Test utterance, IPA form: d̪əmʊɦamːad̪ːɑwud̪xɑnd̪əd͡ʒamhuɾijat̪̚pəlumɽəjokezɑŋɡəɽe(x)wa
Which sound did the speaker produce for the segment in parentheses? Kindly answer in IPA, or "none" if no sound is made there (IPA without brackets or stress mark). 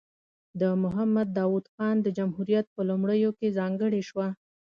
ʃ